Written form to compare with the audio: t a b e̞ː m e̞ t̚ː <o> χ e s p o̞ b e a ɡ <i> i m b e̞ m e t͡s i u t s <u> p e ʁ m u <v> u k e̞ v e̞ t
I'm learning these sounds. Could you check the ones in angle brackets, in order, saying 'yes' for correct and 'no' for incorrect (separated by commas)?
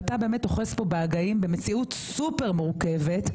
yes, no, yes, no